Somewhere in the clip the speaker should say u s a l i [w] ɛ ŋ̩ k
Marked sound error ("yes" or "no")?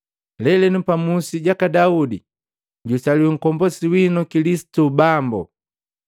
no